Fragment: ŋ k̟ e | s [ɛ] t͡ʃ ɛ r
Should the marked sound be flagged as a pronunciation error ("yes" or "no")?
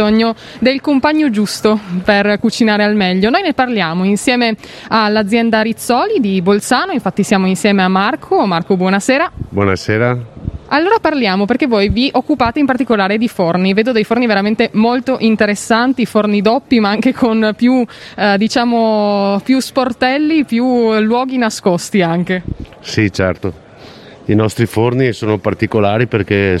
yes